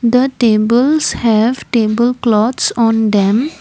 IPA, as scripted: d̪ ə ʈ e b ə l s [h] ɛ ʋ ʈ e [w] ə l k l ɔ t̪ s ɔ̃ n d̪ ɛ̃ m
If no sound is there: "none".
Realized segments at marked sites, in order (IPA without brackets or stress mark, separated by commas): h, b